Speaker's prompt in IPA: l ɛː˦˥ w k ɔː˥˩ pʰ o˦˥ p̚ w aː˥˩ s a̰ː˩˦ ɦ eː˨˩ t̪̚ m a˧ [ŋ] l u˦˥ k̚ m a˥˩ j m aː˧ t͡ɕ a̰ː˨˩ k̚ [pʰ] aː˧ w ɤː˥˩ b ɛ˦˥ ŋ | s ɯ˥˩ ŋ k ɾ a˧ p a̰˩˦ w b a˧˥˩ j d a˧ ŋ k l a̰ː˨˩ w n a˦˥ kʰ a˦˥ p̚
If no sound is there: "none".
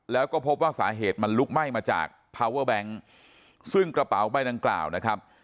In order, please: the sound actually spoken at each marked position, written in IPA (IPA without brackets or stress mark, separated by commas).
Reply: n, pʰ